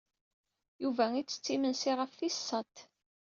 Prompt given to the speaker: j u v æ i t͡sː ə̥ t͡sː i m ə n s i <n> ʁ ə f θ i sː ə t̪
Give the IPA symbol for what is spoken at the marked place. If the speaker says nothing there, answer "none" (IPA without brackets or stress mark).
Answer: none